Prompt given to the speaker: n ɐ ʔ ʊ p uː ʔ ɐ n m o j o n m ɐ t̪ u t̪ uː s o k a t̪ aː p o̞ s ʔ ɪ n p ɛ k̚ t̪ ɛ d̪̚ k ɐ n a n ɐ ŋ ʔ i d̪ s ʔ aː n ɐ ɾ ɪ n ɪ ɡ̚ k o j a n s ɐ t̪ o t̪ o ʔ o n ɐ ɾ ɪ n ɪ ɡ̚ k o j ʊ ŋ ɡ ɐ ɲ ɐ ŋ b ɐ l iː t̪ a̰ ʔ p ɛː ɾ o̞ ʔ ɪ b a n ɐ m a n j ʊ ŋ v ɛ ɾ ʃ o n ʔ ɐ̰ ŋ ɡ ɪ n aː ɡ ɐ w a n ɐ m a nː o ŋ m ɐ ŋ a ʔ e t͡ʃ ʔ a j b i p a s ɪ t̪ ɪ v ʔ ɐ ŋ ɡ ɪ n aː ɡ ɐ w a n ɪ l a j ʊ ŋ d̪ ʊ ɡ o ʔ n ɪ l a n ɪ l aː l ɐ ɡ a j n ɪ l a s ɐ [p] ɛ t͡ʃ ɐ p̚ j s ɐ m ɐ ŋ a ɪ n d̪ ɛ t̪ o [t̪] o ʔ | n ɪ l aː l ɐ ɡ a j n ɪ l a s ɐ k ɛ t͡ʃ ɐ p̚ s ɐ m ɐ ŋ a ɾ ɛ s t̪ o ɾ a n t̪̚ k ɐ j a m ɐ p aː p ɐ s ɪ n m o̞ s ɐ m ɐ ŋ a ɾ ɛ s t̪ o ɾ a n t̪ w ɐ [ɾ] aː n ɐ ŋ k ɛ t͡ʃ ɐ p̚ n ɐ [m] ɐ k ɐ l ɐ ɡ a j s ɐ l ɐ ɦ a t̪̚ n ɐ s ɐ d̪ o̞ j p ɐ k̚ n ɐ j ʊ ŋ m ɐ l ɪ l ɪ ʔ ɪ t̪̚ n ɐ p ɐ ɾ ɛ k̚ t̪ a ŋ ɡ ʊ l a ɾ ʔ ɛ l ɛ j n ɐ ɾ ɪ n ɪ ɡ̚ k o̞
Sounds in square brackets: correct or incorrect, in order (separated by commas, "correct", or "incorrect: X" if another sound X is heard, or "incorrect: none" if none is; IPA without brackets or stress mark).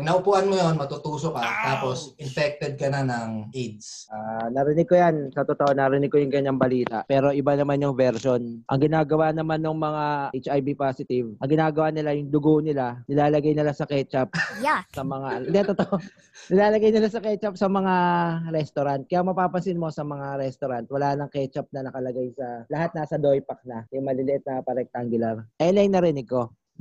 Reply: incorrect: k, correct, incorrect: l, incorrect: n